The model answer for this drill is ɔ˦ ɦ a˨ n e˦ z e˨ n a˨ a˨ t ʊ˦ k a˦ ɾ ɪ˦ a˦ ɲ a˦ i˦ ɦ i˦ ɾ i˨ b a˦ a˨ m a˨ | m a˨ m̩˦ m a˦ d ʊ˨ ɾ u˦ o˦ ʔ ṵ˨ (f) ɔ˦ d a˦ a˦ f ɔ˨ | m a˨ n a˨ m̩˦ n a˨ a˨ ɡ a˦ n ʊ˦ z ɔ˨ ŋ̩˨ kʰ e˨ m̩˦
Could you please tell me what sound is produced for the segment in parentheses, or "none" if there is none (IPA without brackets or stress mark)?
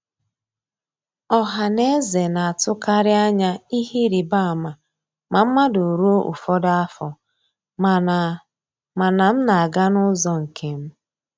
f